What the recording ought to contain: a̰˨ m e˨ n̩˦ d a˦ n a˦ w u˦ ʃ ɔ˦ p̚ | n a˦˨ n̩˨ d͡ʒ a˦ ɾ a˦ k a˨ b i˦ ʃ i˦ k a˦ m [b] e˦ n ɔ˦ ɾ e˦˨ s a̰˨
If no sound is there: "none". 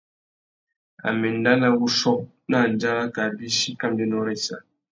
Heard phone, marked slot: d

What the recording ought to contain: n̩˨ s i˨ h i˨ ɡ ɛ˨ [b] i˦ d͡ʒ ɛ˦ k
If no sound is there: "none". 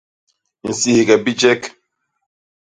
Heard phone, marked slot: b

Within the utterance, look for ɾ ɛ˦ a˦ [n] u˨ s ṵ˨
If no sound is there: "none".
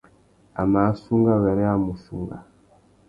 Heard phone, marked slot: m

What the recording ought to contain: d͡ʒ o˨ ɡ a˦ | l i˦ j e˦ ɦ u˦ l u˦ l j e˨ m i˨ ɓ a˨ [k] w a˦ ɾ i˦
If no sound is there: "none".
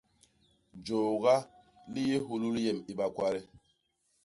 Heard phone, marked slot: k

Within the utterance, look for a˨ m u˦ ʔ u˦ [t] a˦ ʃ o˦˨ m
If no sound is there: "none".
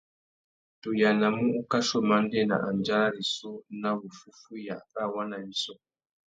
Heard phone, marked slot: k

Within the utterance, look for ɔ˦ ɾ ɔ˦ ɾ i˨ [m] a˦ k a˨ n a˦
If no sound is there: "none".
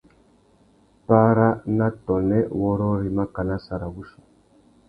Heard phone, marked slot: m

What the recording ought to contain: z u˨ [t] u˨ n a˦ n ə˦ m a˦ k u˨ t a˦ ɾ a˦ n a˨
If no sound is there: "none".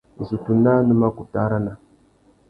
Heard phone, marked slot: t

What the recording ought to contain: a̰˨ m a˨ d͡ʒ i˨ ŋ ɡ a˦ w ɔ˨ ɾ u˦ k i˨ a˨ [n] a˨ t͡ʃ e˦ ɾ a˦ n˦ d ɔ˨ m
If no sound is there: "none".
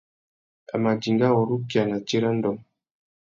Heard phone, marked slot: n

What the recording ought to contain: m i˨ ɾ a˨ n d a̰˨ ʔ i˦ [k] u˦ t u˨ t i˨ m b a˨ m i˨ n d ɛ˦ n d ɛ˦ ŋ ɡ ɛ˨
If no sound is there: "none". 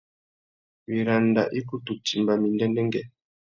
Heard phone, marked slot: k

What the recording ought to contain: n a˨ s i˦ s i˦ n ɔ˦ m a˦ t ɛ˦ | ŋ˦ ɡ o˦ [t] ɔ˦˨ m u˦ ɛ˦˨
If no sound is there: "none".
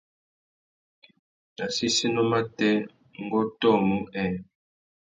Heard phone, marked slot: t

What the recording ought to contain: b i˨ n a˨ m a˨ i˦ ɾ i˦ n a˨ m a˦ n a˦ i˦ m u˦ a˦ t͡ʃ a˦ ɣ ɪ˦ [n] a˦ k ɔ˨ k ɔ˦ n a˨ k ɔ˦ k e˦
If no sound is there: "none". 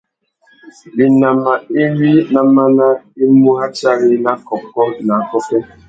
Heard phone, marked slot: n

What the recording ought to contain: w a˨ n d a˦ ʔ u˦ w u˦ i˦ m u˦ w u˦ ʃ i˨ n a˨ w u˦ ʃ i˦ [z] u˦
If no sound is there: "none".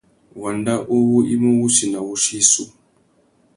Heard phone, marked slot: s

